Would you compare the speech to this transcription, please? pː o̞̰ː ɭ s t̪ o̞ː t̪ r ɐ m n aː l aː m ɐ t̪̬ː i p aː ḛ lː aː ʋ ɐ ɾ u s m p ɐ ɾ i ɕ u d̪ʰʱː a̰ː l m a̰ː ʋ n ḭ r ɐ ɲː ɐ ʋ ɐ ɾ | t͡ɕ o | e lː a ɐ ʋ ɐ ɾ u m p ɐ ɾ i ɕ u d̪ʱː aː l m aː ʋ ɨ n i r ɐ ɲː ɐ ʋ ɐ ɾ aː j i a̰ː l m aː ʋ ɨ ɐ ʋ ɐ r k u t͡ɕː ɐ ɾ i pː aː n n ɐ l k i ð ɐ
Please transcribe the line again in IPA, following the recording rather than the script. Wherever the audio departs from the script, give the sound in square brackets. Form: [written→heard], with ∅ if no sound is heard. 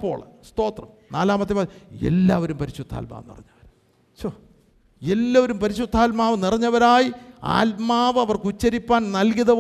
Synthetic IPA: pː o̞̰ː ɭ s t̪ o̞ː t̪ r ɐ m n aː l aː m ɐ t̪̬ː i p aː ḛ lː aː ʋ ɐ ɾ u [s→∅] m p ɐ ɾ i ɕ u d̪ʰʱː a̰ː l m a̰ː ʋ n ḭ r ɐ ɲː ɐ ʋ ɐ ɾ | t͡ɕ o | e lː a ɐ ʋ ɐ ɾ u m p ɐ ɾ i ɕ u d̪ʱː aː l m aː ʋ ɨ n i r ɐ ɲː ɐ ʋ ɐ ɾ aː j i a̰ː l m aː ʋ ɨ ɐ ʋ ɐ r k u t͡ɕː ɐ ɾ i pː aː n n ɐ l k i ð ɐ